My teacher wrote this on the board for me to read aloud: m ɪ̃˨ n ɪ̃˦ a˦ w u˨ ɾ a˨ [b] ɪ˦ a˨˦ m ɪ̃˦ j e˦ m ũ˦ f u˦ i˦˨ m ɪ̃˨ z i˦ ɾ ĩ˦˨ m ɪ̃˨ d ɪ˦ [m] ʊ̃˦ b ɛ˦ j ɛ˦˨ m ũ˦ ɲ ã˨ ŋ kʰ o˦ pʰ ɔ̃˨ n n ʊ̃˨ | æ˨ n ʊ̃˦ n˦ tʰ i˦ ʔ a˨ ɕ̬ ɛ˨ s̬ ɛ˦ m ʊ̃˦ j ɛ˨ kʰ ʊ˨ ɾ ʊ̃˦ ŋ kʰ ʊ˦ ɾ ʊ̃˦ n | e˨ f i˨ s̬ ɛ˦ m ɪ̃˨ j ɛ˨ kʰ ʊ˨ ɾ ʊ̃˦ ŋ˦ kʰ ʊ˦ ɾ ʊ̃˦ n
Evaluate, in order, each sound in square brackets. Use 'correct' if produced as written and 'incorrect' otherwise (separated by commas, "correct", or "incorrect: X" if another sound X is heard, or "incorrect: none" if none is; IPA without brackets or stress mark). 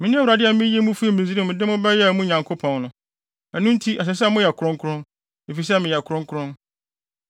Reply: incorrect: d, correct